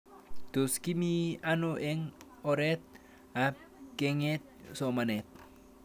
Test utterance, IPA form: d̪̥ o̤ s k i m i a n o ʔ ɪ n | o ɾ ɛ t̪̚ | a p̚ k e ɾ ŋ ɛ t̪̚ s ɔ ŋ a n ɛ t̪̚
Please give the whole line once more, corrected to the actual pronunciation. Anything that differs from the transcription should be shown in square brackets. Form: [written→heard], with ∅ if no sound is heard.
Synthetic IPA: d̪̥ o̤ s k i m i a n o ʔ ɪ [n→ŋ] | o ɾ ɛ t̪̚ | a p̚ k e [ɾ→∅] ŋ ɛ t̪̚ s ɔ [ŋ→m] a n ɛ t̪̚